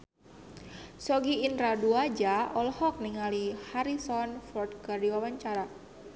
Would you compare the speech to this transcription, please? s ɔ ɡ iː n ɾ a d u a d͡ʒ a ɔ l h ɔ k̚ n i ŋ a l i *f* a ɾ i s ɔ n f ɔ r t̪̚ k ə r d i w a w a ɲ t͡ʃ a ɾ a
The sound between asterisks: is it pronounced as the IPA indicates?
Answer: no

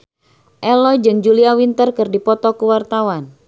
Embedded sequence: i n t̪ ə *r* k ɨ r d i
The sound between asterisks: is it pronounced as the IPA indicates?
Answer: yes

